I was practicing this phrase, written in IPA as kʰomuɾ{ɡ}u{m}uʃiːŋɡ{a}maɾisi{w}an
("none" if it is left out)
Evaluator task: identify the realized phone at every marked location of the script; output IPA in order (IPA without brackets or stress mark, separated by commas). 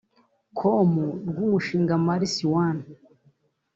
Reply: ɡ, m, a, w